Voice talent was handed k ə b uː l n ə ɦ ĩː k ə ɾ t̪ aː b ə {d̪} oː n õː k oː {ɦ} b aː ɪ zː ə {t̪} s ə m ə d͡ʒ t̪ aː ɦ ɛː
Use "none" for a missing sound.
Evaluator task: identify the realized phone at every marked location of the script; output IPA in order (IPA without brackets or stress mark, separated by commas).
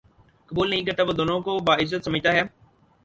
d̪, none, t̪